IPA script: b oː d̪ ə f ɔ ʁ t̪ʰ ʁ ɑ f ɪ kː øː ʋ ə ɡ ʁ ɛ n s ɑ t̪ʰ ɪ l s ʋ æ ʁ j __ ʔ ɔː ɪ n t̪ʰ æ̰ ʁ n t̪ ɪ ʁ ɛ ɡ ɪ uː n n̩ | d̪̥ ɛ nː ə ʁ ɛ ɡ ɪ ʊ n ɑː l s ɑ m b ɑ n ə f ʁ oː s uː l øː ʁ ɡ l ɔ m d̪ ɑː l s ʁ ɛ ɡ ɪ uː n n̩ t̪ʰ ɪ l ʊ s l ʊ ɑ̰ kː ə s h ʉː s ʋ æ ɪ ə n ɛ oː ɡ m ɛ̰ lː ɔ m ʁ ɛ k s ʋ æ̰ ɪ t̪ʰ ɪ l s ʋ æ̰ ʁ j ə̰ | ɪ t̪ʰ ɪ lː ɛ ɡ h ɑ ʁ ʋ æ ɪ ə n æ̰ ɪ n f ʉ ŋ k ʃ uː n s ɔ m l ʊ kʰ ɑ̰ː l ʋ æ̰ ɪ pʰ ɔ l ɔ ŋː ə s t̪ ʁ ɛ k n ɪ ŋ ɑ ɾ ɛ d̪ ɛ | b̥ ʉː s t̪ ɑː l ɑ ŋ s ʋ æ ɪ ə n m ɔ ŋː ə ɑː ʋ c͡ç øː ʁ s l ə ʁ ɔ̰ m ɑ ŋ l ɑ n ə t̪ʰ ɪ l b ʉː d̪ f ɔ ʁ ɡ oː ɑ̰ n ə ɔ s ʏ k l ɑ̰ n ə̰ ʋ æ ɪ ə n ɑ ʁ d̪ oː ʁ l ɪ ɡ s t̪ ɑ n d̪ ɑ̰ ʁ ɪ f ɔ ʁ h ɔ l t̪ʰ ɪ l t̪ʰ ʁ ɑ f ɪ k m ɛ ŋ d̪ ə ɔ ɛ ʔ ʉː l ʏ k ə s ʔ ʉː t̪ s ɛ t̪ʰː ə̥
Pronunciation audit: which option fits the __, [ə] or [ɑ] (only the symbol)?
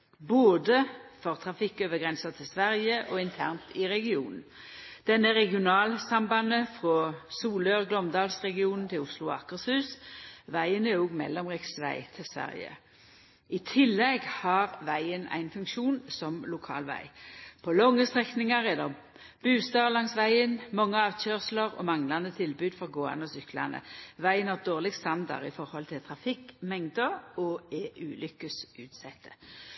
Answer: ə